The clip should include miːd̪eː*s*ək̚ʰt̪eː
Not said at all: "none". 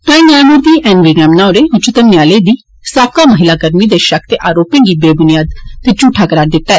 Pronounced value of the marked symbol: ʃ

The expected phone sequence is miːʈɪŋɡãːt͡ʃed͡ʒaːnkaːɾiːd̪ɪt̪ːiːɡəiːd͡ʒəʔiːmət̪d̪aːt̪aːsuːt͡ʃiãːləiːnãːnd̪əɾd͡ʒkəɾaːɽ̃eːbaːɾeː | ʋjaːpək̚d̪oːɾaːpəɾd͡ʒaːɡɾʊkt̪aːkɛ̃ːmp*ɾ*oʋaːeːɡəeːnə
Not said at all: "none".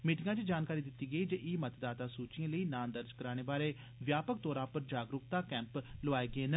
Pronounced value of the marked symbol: l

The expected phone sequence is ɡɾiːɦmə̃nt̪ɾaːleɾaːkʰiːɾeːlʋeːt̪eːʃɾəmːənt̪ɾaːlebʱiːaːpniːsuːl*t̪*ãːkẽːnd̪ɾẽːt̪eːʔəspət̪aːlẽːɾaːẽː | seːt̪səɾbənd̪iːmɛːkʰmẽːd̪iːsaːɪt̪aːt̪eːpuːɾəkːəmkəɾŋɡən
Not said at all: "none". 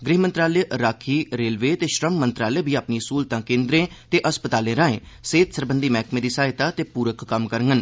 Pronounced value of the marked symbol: t̪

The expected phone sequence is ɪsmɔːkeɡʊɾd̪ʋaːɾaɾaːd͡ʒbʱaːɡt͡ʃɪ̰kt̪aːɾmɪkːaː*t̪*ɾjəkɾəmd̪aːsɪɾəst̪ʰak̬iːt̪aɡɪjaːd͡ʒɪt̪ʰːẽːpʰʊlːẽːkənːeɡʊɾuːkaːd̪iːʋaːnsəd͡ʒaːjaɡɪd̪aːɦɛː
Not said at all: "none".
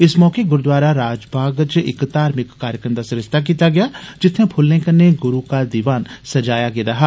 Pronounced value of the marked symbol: none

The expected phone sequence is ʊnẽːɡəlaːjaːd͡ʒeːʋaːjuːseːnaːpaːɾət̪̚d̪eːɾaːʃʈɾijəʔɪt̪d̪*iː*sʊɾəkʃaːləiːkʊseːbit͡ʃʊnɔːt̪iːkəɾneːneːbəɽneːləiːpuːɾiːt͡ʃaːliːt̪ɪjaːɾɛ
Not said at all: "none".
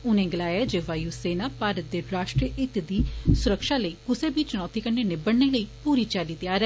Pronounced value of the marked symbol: iː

